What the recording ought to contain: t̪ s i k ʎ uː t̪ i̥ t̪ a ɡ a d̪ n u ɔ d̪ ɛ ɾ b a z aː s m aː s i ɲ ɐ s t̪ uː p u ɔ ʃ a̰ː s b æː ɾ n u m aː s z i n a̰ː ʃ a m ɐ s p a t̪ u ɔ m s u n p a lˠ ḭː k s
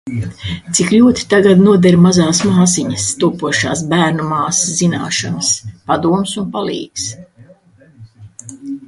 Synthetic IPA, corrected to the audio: t̪ s i k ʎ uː t̪ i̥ t̪ a ɡ a d̪ n u ɔ d̪ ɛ ɾ m a z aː s m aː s i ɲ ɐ s t̪ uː p u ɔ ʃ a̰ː s b æː ɾ n u m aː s z i n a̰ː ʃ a n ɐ s p a d̪ u ɔ m s u n p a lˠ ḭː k s